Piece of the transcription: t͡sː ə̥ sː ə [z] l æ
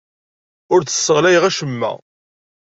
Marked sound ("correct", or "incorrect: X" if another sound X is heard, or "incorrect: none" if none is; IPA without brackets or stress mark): incorrect: ʁ